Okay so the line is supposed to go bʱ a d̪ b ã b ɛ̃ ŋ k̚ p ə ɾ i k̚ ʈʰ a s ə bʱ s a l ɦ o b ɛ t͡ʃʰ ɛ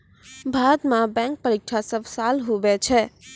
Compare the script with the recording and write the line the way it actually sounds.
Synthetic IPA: bʱ a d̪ m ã b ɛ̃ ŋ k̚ p ə ɾ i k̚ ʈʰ a s ə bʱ s a l ɦ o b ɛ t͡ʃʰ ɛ

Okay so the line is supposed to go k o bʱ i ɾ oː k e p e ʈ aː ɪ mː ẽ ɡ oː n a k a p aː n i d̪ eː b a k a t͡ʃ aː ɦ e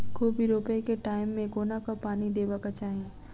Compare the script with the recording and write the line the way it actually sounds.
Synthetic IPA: k o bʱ i ɾ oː p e k e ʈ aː ɪ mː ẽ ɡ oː n a k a p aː n i d̪ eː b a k a t͡ʃ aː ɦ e

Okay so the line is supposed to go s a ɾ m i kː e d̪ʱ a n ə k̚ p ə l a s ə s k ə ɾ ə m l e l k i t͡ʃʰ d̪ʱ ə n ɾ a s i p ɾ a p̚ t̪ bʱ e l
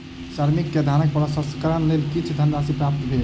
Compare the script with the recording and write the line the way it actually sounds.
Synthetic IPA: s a ɾ m i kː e d̪ʱ a n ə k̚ p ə l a s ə s k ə ɾ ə n l e l k i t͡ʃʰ d̪ʱ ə n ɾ a s i p ɾ a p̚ t̪ bʱ e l

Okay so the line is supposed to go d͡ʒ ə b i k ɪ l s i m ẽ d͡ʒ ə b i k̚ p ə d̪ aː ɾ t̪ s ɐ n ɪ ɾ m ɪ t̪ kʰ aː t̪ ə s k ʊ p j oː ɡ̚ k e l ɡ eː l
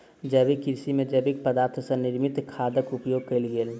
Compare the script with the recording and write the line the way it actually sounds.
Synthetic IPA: d͡ʒ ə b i k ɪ ɾ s i m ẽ d͡ʒ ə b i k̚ p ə d̪ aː ɾ t̪ʰ s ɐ n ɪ ɾ m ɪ t̪ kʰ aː d̪ ə k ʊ p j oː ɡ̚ k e l ɡ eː l

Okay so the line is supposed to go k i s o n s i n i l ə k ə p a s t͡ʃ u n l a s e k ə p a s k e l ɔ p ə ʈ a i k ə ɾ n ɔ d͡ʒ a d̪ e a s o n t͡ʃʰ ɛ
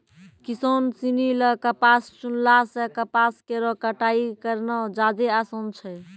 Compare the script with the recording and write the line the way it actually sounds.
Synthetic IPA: k i s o n s i n i l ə k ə p a s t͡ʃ u n l a s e k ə p a s k e ɾ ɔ k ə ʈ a i k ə ɾ n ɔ d͡ʒ a d̪ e a s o n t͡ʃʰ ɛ

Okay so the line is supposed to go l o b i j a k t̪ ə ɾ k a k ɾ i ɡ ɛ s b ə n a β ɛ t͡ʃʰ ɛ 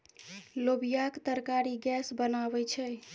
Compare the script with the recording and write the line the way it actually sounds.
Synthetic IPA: l o b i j a k t̪ ə ɾ k a ɾ i ɡ ɛ s b ə n a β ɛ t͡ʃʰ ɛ

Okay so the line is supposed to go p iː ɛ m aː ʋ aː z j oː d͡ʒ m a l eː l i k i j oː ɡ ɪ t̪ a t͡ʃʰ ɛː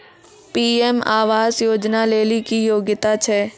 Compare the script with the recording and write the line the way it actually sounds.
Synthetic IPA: p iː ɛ m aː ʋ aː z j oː d͡ʒ n a l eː l i k i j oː ɡ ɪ t̪ a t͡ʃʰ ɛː

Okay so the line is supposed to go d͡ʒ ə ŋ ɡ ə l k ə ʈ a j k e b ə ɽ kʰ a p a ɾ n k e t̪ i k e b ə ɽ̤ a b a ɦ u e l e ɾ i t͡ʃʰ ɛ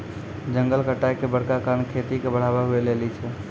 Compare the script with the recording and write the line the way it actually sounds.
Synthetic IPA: d͡ʒ ə ŋ ɡ ə l k ə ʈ a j k e b ə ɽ k a k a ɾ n kʰ e t̪ i k e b ə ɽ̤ a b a ɦ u e l e l i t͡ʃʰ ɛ

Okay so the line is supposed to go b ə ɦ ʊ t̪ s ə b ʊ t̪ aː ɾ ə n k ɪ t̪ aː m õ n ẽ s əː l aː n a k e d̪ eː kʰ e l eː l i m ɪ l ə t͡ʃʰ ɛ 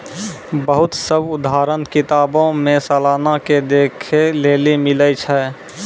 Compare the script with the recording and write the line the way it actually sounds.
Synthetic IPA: b ə ɦ ʊ t̪ s ə b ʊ d̪ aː ɾ ə n k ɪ t̪ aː b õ m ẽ s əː l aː n a k e d̪ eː kʰ e l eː l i m ɪ l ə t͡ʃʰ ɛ

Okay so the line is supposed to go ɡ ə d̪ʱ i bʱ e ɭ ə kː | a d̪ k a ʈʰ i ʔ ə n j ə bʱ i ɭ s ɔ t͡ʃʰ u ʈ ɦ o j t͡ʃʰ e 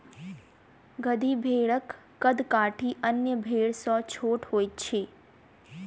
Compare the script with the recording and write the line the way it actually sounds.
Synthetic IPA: ɡ ə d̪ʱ i bʱ e ɭ ə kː | ə d̪ k a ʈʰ i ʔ ə n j ə bʱ e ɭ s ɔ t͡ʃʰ o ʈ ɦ o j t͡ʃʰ e

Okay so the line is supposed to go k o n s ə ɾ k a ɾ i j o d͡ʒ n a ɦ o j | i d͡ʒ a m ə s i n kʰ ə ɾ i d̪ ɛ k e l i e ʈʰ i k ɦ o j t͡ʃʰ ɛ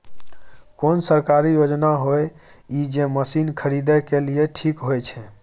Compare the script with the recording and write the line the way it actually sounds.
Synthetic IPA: k o n s ə ɾ k a ɾ i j o d͡ʒ n a ɦ o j | i d͡ʒ e m ə s i n kʰ ə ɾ i d̪ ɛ k e l i e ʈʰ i k ɦ o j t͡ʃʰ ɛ

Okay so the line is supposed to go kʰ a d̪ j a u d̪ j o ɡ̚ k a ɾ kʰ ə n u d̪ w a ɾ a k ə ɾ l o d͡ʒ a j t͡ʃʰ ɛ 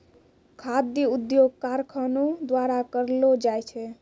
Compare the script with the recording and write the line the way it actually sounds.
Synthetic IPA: kʰ a d̪ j ə u d̪ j o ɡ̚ k a ɾ kʰ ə n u d̪ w a ɾ a k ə ɾ l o d͡ʒ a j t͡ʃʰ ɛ

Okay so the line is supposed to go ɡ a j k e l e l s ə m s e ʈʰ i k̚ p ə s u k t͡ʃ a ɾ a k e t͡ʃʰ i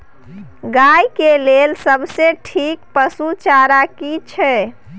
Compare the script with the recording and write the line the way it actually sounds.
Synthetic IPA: ɡ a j k e l e l s ə b s e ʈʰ i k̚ p ə s u t͡ʃ a ɾ a k i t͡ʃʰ ɛ

